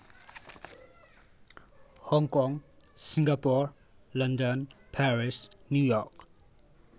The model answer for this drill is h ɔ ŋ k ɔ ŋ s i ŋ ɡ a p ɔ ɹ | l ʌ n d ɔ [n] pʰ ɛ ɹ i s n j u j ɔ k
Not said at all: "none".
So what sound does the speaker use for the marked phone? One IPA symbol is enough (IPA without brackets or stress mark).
n